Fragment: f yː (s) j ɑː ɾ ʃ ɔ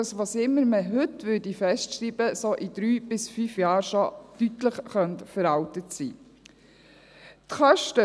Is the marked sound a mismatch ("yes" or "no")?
yes